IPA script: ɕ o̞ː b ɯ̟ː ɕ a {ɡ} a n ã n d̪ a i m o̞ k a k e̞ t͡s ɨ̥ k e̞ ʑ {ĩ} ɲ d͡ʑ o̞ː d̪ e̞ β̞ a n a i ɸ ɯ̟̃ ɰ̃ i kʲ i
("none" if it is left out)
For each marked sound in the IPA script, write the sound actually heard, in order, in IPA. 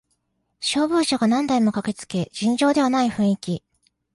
ɡ, ĩ

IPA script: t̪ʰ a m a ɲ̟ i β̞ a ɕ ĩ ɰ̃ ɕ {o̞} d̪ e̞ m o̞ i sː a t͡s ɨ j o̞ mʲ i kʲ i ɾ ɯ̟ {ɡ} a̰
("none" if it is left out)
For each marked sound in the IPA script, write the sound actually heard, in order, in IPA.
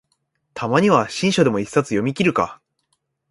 o̞, k

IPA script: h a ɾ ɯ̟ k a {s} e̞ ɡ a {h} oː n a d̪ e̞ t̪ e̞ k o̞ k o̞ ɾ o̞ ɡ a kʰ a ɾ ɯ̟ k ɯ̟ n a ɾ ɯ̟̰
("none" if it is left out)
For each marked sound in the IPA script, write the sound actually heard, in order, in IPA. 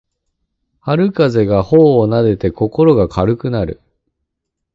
z, h

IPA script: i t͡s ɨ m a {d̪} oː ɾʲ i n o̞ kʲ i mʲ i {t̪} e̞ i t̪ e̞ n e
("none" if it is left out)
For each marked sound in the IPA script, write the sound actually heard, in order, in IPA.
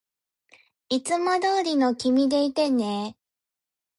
d̪, d̪

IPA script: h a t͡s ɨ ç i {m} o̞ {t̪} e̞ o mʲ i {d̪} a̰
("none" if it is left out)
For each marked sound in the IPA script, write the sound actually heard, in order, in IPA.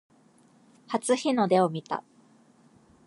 n, d̪, t̪

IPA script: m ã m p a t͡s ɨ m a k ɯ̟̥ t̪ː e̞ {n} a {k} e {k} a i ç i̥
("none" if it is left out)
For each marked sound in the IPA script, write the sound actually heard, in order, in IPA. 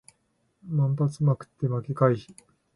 m, k, k

